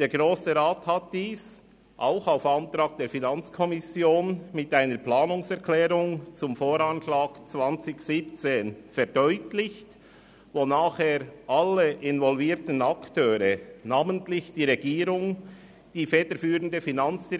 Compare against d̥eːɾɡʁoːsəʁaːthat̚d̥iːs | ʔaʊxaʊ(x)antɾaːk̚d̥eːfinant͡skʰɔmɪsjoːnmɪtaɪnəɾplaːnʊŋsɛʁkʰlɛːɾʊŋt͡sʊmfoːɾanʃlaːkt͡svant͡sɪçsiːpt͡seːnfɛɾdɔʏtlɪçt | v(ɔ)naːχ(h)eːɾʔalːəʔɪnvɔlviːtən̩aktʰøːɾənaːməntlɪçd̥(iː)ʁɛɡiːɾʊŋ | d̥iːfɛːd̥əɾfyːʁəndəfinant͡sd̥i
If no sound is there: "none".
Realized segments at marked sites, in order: f, o, h, iː

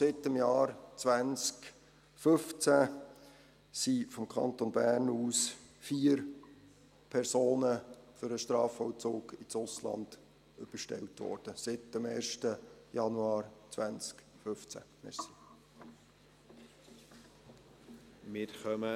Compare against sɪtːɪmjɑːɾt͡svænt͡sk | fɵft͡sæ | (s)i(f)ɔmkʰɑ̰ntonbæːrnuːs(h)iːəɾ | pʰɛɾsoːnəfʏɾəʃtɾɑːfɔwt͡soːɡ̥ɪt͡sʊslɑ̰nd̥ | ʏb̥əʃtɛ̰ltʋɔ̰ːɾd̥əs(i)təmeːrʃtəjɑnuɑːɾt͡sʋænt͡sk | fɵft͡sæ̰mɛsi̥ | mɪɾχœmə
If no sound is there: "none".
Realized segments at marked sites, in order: s, f, f, ɪ

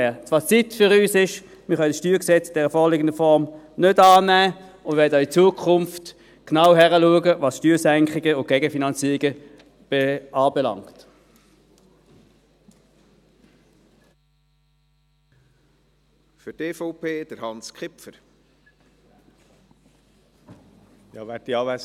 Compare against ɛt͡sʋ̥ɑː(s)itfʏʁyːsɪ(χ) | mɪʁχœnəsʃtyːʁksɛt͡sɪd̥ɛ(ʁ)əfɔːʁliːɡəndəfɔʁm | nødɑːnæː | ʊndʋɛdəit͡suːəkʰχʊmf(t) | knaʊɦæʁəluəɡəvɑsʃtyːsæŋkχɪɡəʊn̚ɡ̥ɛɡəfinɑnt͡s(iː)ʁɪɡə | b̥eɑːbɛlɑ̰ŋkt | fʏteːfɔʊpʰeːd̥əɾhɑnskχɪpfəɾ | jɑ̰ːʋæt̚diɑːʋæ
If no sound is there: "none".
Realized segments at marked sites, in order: t͡s, ʃ, ʁ, t, iː

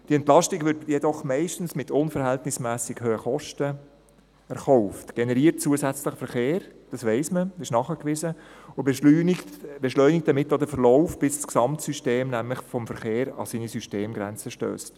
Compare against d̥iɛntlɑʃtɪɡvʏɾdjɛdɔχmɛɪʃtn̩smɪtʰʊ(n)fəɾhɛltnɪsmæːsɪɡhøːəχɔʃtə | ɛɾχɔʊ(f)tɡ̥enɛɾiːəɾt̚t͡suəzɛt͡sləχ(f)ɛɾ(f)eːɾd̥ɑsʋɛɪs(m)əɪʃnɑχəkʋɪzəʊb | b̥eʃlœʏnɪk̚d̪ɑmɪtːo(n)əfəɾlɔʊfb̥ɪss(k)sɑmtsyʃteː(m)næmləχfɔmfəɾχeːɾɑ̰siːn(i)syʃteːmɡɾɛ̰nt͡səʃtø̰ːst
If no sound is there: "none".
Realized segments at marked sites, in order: n, f, f, χ, m, d, k, m, i

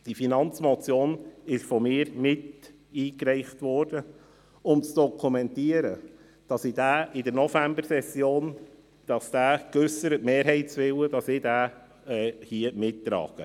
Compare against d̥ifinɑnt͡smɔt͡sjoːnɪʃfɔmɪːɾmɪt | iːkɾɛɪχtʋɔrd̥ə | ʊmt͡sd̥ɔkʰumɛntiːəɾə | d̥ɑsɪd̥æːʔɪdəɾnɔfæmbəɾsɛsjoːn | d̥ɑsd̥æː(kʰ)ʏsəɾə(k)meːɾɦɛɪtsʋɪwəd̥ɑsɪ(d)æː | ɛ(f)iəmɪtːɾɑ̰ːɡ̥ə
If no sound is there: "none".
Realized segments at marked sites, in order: k, t, d, h

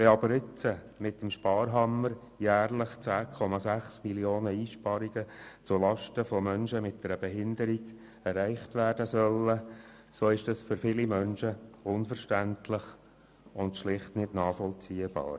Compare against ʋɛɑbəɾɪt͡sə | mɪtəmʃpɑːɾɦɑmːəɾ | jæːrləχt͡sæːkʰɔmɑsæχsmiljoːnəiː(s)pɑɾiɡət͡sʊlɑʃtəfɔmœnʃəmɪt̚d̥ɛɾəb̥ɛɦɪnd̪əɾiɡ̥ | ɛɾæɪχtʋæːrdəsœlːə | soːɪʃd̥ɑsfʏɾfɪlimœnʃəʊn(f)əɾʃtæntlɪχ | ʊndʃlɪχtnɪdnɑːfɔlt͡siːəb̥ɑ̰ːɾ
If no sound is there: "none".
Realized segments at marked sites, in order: ʃ, f

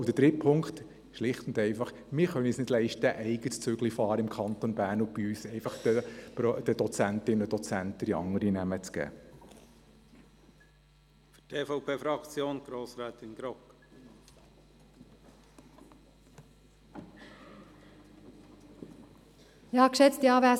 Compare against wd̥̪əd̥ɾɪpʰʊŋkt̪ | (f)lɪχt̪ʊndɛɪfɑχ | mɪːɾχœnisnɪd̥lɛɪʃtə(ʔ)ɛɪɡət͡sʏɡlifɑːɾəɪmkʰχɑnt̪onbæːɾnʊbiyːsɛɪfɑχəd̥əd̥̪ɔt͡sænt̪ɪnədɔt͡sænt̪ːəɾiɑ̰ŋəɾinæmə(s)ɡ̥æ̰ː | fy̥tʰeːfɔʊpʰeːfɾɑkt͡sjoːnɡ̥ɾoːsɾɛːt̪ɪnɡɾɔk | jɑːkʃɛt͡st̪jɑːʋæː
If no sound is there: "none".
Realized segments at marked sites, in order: ʃ, ʔ, t͡s

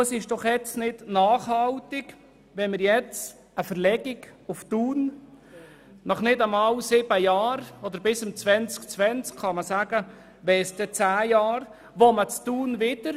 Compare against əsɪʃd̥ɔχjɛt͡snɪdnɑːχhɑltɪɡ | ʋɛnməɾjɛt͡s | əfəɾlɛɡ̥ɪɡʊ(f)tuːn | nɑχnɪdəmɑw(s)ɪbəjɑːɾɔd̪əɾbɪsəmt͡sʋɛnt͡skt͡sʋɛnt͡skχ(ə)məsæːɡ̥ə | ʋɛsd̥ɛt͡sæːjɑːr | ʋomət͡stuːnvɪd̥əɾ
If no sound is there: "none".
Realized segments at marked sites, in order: f, s, ɑ

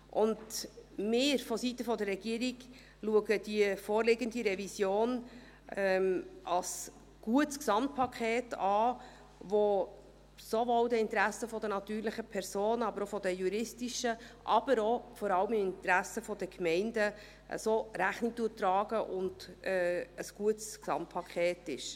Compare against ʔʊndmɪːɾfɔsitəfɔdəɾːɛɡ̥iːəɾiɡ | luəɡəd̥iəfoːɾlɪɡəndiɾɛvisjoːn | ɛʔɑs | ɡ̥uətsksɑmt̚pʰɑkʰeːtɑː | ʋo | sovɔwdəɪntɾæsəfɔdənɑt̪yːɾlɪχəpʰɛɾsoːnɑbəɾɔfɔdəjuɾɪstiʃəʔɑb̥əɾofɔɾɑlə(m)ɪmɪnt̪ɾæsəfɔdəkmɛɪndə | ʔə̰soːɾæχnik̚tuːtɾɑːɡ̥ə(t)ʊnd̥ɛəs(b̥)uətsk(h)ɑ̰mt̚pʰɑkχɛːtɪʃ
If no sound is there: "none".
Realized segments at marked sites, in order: m, ʔ, ɡ̥, s

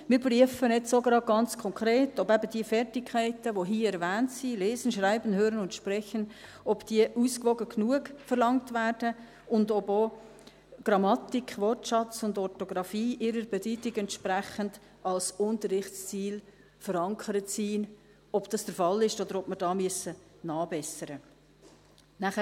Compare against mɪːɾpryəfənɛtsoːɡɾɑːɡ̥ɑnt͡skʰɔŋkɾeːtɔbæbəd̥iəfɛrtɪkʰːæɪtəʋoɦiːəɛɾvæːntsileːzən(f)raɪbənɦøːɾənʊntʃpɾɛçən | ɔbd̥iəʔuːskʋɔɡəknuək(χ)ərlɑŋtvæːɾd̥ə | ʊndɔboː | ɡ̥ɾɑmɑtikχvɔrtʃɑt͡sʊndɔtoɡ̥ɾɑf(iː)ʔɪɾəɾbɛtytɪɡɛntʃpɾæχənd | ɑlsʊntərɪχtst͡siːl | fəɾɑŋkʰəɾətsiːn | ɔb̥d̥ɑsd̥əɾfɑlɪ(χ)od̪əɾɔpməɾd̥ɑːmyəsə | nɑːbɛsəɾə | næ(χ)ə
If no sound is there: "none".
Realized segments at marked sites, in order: ʃ, f, iː, ʃ, χ

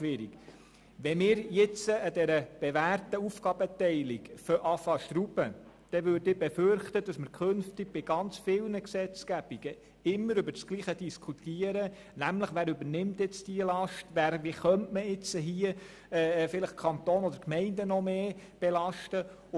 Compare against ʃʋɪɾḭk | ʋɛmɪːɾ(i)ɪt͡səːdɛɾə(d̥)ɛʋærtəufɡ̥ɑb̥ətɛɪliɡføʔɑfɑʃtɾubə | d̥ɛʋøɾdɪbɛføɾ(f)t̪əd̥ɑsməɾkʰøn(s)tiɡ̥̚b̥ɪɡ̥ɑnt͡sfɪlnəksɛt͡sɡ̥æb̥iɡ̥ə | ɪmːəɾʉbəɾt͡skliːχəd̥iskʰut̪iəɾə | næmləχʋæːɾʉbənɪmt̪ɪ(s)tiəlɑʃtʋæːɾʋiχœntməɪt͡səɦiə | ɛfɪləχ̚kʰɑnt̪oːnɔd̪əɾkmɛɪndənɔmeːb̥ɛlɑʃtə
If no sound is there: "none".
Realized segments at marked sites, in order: j, b̥, χ, f, t͡s

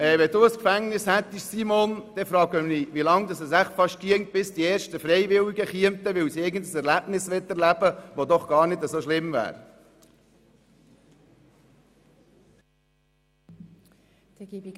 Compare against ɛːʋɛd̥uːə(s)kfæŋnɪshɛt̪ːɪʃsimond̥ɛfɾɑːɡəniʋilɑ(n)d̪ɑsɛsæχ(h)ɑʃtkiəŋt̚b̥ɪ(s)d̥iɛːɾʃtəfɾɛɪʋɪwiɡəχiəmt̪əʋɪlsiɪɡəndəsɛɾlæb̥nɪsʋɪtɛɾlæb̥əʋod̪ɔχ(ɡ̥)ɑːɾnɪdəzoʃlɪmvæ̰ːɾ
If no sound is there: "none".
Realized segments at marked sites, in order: s, ŋ, f, s, ɡ̥

